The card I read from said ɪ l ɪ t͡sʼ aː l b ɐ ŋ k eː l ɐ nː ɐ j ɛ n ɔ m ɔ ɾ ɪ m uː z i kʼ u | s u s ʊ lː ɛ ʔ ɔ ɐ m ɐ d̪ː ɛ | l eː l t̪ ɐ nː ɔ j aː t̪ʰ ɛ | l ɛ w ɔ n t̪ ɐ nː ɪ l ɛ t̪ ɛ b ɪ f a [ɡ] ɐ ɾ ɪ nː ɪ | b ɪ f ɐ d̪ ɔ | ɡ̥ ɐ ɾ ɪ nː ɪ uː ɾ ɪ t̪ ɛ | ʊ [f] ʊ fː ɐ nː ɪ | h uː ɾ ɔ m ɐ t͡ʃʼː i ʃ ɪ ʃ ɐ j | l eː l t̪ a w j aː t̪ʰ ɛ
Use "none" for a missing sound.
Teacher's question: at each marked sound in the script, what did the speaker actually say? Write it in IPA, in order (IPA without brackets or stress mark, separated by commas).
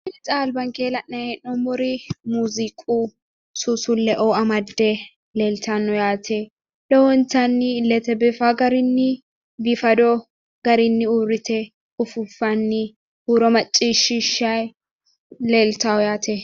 ɡ, f